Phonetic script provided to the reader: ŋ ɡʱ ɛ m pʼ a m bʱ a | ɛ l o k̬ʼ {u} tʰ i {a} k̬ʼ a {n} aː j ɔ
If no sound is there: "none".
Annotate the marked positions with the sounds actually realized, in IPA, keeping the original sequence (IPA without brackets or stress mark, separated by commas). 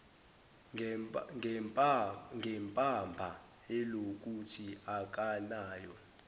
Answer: u, a, n